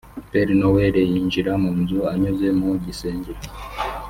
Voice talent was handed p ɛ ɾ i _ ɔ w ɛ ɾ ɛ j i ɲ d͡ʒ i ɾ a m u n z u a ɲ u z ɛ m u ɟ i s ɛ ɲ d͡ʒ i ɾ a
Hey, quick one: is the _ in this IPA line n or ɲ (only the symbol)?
n